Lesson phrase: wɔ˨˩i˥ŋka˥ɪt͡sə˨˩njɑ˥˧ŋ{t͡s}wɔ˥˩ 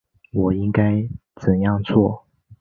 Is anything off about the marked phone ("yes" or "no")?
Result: yes